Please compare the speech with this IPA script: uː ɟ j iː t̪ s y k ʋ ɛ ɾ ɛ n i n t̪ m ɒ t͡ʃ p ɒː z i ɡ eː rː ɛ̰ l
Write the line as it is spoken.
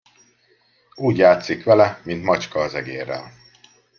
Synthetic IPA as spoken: uː ɟ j aː t̪ s i k ʋ ɛ l ɛ m i n t̪ m ɒ t͡ʃ k ɒː z ɛ ɡ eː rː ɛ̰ l

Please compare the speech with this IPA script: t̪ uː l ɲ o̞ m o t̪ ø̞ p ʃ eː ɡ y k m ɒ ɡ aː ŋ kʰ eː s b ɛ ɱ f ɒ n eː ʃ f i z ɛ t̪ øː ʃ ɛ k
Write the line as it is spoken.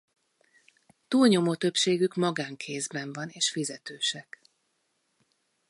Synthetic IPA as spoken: t̪ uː l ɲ o̞ m o t̪ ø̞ p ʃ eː ɡ y k m ɒ ɡ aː ŋ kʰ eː z b ɛ ɱ v ɒ n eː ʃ f i z ɛ t̪ øː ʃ ɛ k

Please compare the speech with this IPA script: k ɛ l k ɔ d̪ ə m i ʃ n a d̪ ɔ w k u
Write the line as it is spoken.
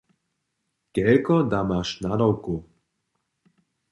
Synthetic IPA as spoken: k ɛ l k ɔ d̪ a m a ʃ n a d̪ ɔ w k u

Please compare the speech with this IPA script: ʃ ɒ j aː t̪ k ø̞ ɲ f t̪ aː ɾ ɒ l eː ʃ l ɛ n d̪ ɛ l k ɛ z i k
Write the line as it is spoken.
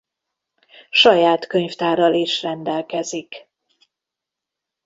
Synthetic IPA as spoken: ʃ ɒ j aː t̪ k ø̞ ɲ f t̪ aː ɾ ɒ l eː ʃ r ɛ n d̪ ɛ l k ɛ z i k

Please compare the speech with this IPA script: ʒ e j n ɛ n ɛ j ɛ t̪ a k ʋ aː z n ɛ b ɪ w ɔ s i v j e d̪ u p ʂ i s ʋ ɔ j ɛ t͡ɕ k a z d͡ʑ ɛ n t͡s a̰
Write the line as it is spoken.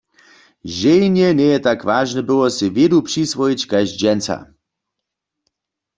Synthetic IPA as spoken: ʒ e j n ɛ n ɛ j ɛ t̪ a k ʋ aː ʒ n ɛ b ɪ w ɔ s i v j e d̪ u p ʂ i s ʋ ɔ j i t͡ɕ k a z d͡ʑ ɛ n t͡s a̰

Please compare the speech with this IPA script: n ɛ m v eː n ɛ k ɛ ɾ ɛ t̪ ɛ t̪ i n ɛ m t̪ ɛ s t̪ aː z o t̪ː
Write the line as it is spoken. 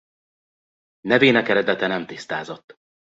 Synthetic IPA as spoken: n ɛ v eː n ɛ k ɛ ɾ ɛ d̪ ɛ t̪ ɛ n ɛ m t̪ i s t̪ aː z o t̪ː

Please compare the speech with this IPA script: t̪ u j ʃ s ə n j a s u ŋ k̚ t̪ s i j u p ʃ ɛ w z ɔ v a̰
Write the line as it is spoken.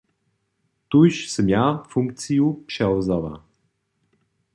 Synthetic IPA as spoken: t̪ u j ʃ s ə m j a f u ŋ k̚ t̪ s i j u p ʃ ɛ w z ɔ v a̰

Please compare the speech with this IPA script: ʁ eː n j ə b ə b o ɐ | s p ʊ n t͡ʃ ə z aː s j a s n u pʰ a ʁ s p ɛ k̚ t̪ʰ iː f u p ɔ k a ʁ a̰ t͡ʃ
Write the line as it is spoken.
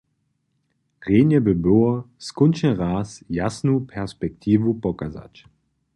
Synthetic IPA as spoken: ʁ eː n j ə b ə b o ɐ | s k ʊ n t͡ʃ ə ʁ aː s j a s n u pʰ ɛ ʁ s p ɛ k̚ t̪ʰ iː v u p ɔ k a z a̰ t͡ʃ

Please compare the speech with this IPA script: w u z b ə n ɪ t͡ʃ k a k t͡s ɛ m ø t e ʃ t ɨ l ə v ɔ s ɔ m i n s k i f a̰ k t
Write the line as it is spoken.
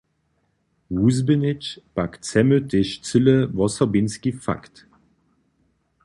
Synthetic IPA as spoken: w u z b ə n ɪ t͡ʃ p a k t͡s ɛ m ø t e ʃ t͡s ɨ l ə v ɔ s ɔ b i n s k i f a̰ k t

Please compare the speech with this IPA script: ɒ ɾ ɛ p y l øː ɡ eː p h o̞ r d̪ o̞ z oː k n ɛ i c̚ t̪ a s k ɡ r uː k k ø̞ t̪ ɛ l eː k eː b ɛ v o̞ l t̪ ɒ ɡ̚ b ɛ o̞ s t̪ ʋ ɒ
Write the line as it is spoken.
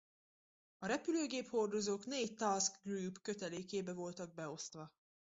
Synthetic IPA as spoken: ɒ ɾ ɛ p y l øː ɡ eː p h o̞ r d̪ o̞ z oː k n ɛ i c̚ t̪ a s k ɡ r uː p k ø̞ t̪ ɛ l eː k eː b ɛ v o̞ l t̪ ɒ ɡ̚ b ɛ o̞ s t̪ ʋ ɒ

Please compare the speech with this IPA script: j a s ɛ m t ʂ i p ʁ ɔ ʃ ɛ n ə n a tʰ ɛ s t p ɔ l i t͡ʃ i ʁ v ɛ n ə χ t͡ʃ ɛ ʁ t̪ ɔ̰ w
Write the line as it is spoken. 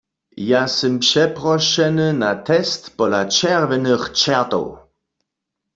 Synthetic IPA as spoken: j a s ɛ m p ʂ ɛ p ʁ ɔ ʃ ɛ n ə n a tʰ ɛ s t p ɔ l a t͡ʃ ɛ ʁ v ɛ n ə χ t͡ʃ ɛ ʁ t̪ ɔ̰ w

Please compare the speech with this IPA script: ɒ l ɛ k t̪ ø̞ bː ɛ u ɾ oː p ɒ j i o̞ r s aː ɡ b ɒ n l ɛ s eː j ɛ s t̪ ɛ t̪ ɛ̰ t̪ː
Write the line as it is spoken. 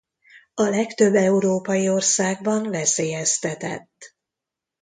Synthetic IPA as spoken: ɒ l ɛ k t̪ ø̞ bː ɛ u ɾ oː p ɒ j i o̞ r s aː ɡ b ɒ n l ɛ s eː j ɛ s t̪ ɛ t̪ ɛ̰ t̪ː

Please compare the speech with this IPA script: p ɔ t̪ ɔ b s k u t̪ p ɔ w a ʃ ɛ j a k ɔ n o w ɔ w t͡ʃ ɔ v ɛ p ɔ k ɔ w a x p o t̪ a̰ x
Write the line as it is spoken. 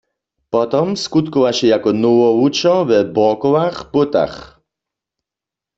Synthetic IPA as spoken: p ɔ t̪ ɔ m s k u t̪ k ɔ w a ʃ ɛ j a k ɔ n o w ɔ u t͡ʃ ɔ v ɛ b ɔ k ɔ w a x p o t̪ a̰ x

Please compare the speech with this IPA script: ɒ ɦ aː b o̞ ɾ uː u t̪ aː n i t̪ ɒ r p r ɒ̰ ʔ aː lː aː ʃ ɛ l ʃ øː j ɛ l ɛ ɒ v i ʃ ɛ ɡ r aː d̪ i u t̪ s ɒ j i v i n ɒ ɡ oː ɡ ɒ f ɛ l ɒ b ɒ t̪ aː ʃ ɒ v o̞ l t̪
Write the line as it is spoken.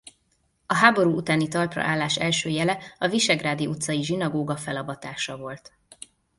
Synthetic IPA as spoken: ɒ ɦ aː b o̞ ɾ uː u t̪ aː n i t̪ ɒ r p r ɒ̰ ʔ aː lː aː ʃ ɛ l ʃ øː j ɛ l ɛ ɒ v i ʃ ɛ ɡ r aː d̪ i u t̪ s ɒ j i ʒ i n ɒ ɡ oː ɡ ɒ f ɛ l ɒ b ɒ t̪ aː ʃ ɒ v o̞ l t̪

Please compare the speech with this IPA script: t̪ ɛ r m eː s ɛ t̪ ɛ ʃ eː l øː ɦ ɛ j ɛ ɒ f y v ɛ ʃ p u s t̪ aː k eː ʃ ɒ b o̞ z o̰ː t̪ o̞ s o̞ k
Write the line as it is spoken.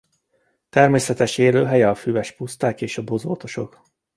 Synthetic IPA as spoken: t̪ ɛ r m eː s ɛ t̪ ɛ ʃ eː l øː ɦ ɛ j ɛ ɒ f y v ɛ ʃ p u s t̪ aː k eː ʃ ɒ b o̞ z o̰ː t̪ o̞ ʃ o̞ k

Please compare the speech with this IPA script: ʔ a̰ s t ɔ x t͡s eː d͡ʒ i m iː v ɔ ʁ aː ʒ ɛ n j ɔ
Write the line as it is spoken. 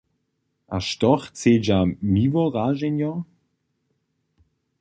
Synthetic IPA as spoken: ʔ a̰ ʃ t ɔ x t͡s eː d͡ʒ a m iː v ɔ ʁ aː ʒ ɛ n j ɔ

